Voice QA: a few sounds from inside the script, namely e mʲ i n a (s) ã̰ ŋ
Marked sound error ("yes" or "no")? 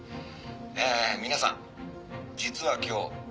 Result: no